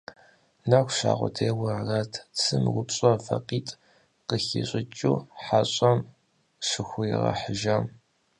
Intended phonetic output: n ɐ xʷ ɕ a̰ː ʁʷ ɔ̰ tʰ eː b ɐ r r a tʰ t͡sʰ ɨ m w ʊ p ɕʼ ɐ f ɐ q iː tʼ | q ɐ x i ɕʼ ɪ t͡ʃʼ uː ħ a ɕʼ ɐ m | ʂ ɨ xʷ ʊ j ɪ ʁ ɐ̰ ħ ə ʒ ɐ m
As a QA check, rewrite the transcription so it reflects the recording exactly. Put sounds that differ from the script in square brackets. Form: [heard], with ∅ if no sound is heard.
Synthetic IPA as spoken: n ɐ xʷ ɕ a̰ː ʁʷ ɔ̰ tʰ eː [w] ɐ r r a tʰ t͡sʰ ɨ m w ʊ p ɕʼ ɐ f ɐ q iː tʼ | q [ə] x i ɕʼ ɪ t͡ʃʼ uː ħ a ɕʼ ɐ m | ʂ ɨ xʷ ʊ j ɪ ʁ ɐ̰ ħ ə ʒ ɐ m